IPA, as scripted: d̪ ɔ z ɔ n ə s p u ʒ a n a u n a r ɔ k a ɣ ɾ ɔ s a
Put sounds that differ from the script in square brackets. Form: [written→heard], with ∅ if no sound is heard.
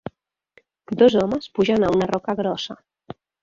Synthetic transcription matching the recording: d̪ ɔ z ɔ [n→m] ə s p u ʒ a n a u n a r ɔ k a ɣ ɾ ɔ s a